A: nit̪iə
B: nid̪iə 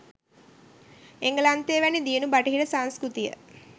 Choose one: B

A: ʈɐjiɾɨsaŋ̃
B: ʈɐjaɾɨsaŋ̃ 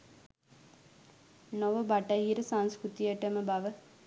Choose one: A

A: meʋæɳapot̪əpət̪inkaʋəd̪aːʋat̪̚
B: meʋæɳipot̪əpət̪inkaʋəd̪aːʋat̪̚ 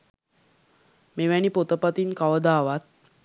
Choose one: B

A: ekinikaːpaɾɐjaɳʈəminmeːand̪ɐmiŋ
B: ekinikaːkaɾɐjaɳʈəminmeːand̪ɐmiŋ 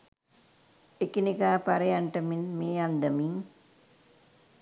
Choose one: A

